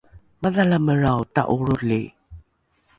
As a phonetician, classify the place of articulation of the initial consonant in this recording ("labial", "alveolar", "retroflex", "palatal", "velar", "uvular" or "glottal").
labial